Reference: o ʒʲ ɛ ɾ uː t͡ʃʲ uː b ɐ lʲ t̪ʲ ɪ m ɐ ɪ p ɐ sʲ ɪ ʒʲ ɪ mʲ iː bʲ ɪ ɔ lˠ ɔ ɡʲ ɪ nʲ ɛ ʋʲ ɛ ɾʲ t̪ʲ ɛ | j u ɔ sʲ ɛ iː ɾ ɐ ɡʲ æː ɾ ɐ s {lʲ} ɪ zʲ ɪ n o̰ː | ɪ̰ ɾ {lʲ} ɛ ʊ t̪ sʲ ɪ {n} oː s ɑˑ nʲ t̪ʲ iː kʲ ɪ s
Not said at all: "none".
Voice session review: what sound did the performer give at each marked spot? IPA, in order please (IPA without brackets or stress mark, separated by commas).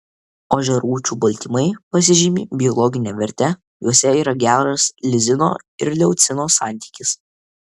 lʲ, lʲ, n